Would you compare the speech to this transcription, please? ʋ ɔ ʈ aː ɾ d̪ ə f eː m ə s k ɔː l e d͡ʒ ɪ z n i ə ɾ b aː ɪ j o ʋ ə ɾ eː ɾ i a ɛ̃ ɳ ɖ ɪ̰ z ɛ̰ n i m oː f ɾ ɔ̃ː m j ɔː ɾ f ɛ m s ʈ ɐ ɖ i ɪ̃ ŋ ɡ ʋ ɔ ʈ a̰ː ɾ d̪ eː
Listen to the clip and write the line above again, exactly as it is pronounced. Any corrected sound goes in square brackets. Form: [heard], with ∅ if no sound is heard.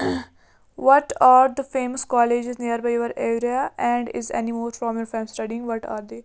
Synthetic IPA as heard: ʋ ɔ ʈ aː ɾ d̪ ə f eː m ə s k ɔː l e d͡ʒ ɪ z n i ə ɾ b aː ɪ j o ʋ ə ɾ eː ɾ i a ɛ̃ ɳ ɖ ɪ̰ z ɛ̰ n i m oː f ɾ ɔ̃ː m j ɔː ɾ f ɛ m s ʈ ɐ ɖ i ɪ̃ ŋ ɡ ʋ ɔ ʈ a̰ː ɾ d̪ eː